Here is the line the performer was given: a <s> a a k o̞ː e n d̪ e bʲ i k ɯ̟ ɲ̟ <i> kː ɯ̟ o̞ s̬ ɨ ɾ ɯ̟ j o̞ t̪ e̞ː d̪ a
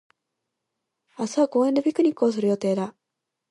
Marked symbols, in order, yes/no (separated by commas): yes, yes